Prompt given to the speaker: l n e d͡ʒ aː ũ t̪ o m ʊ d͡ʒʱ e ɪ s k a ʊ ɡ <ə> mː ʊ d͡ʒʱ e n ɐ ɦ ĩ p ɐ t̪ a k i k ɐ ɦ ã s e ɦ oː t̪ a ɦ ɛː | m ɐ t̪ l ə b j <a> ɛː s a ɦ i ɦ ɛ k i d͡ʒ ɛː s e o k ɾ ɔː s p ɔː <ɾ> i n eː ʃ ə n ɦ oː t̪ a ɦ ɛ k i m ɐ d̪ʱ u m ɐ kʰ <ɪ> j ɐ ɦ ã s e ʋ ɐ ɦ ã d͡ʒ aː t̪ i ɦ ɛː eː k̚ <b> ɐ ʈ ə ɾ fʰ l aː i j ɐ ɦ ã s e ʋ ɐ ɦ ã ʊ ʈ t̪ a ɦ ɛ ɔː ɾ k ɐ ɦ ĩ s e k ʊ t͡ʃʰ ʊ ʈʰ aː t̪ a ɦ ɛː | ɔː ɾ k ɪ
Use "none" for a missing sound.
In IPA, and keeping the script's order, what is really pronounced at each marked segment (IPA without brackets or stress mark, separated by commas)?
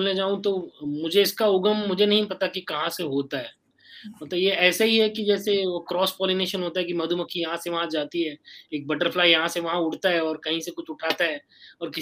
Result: ə, e, l, i, b